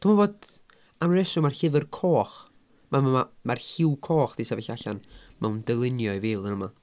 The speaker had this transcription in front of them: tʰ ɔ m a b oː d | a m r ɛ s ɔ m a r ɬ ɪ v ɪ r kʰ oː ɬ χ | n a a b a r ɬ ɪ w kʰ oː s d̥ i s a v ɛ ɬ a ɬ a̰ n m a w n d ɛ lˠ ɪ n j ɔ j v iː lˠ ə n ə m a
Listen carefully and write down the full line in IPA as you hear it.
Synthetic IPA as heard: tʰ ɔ m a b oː d | a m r ɛ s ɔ m a r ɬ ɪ v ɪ r kʰ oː χ | m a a m a r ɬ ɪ w kʰ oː χ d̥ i s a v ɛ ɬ a ɬ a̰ n m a w n d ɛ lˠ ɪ n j ɔ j v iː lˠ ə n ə m a